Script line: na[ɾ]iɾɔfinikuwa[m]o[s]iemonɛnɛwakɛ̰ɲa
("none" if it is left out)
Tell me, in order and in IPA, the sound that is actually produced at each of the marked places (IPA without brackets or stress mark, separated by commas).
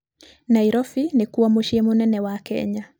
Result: none, m, ʃ